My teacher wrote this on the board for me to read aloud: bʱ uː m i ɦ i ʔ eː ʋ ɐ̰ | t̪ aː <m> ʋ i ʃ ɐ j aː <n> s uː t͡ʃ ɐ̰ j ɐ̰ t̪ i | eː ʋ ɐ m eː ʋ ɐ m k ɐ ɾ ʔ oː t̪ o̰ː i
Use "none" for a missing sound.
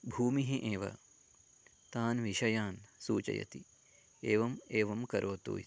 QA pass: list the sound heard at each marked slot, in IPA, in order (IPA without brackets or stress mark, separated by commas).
n, n